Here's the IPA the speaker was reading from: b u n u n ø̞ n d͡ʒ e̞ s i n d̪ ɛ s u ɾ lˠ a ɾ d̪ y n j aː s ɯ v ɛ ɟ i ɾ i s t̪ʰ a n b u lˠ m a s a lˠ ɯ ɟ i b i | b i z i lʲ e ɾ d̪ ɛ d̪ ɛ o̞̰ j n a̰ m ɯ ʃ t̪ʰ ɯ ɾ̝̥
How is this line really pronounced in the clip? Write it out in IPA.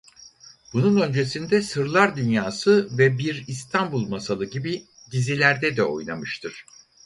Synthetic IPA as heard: b u n u n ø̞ n d͡ʒ e̞ s i n d̪ ɛ s ɯ ɾ lˠ a ɾ d̪ y n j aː s ɯ v ɛ b i ɾ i s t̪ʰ a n b u lˠ m a s a lˠ ɯ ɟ i b i | ɟ i z i lʲ æ ɾ d̪ ɛ d̪ ɛ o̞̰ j n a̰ m ɯ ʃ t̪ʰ ɯ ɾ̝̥